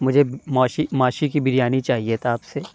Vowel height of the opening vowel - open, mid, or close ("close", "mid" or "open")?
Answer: close